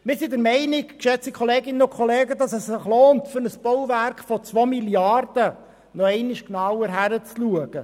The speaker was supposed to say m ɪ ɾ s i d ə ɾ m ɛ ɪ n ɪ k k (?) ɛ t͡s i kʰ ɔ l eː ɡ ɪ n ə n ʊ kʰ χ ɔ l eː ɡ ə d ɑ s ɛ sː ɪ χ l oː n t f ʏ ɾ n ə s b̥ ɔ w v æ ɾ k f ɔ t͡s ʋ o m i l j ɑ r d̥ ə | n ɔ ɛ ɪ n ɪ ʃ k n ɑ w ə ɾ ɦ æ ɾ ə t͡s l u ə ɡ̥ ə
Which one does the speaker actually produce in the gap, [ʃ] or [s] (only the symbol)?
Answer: ʃ